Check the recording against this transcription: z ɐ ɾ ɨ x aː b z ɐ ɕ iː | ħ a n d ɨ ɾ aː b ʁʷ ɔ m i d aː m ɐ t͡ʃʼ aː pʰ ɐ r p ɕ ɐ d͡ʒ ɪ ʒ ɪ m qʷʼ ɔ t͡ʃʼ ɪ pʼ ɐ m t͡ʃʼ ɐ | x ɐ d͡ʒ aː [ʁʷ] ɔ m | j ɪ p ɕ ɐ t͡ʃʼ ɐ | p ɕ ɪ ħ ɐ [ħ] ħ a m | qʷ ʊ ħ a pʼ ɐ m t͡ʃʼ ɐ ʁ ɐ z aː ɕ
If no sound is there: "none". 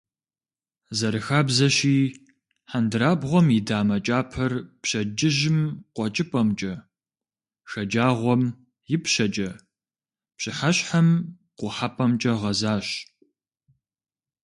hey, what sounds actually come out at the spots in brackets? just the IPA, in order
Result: ʁʷ, ɕ

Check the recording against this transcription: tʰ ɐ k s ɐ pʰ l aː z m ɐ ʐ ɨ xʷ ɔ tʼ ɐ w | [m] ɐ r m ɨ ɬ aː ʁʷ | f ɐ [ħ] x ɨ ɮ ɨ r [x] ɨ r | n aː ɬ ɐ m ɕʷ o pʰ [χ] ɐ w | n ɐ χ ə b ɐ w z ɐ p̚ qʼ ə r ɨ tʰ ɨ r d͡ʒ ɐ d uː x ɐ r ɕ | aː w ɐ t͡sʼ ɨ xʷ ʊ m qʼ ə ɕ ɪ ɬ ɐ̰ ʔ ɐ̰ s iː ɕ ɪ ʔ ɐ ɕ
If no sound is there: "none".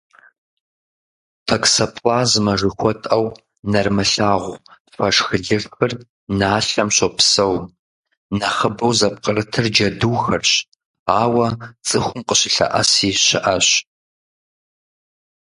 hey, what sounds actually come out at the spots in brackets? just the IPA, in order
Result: n, ʂ, x, s

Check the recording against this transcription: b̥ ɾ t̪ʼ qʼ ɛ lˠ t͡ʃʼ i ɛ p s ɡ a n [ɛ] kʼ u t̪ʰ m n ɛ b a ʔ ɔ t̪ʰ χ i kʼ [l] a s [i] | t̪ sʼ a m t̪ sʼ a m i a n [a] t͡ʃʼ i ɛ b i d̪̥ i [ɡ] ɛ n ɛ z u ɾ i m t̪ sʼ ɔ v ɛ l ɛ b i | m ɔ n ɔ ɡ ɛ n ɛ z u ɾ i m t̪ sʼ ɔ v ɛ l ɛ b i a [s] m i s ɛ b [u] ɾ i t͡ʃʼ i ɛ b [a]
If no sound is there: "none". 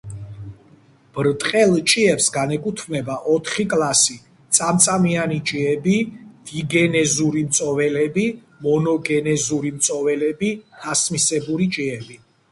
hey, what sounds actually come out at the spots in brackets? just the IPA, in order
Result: ɛ, l, i, i, ɡ, s, u, i

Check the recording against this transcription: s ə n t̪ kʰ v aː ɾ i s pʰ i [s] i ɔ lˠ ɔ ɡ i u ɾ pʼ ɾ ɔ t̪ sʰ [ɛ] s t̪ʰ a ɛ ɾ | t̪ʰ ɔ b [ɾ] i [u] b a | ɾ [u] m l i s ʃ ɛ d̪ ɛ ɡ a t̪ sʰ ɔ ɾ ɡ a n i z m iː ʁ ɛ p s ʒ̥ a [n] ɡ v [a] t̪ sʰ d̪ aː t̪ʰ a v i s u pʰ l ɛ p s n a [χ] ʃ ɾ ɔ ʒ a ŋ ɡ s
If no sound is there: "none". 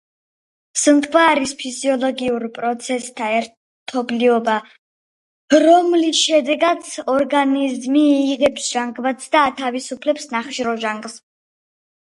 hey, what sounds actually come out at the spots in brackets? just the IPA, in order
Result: z, ɛ, l, ɔ, ɔ, ŋ, a, χ

